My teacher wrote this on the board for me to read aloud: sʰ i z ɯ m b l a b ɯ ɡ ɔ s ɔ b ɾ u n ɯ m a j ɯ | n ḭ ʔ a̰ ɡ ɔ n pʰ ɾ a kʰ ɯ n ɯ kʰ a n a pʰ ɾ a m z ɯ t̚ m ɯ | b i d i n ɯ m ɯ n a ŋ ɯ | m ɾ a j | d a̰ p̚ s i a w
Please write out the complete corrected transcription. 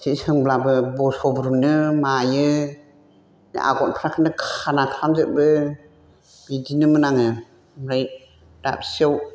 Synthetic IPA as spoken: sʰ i s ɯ ŋ b l a b ɯ b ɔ s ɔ b ɾ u n ɯ m a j ɯ | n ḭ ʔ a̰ ɡ ɔ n pʰ ɾ a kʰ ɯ n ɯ kʰ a n a kʰ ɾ a m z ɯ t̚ b ɯ | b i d i n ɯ m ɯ n a ŋ ɯ | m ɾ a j | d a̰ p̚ s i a w